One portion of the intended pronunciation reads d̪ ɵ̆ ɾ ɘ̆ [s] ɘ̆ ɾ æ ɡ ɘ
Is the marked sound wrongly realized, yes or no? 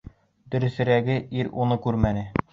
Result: no